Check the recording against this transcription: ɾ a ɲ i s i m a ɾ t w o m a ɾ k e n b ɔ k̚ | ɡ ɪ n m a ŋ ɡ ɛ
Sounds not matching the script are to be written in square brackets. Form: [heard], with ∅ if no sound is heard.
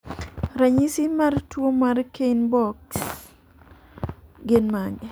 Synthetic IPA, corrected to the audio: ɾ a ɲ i s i m a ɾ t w o m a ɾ k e n b ɔ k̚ | ɡ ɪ n m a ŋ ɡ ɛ